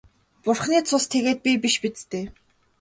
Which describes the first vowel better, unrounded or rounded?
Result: rounded